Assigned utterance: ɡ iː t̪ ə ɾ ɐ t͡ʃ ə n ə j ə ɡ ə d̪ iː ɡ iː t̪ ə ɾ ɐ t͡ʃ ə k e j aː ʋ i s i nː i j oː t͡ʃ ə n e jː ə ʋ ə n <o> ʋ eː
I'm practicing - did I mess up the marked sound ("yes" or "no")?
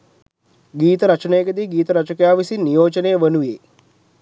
yes